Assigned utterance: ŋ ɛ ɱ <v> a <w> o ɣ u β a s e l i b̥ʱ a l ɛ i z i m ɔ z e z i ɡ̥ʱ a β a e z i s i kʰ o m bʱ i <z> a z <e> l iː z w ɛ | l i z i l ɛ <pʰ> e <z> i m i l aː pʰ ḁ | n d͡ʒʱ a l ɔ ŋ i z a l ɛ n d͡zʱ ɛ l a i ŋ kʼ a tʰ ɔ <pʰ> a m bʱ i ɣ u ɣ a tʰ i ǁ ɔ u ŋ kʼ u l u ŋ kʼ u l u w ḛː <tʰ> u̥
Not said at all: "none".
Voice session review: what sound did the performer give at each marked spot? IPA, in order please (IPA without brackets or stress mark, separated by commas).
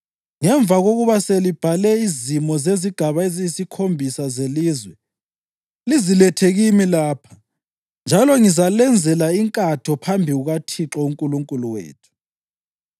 v, ɣ, s, e, tʰ, ɣ, pʰ, tʰ